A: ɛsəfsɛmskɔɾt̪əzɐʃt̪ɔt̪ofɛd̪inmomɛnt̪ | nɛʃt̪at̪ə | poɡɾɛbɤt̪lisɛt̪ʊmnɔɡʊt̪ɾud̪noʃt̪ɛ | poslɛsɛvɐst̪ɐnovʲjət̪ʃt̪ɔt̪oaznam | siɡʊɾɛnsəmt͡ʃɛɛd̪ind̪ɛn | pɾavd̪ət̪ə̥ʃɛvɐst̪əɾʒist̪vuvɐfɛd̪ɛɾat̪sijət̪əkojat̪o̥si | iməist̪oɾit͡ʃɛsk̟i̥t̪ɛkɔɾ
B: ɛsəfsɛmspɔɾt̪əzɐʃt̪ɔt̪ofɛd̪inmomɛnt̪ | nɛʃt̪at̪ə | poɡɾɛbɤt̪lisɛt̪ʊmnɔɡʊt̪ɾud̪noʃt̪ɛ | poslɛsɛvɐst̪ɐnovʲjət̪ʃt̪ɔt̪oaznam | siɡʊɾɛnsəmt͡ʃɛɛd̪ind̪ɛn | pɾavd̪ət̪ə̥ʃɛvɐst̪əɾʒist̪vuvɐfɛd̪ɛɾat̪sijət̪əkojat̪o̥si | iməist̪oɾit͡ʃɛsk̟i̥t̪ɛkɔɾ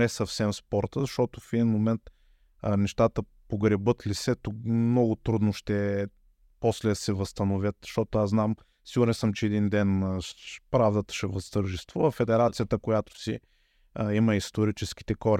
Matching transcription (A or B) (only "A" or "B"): B